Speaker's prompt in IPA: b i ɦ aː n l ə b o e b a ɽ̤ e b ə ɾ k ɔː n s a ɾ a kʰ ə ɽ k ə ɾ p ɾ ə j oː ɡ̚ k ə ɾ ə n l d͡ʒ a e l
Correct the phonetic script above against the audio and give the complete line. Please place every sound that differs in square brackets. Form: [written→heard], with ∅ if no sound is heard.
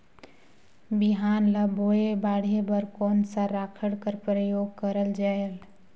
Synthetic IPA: b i ɦ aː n l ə b o e b a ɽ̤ e b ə ɾ k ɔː n s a ɾ a kʰ ə ɽ k ə ɾ p ɾ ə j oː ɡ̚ k ə ɾ ə [n→∅] l d͡ʒ a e l